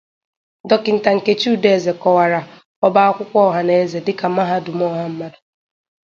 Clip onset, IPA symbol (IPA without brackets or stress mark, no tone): d